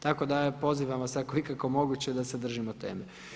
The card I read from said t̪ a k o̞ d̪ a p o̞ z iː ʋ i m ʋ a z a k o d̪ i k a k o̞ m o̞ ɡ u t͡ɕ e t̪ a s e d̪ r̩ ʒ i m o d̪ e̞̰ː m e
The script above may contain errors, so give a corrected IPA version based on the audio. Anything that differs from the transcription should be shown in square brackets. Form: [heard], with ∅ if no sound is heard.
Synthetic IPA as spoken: t̪ a k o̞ d̪ a p o̞ z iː ʋ [a] m ʋ a [s] a k o [∅] i k a k o̞ m o̞ ɡ u t͡ɕ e [d̪] a s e d̪ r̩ ʒ i m o [t̪] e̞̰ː m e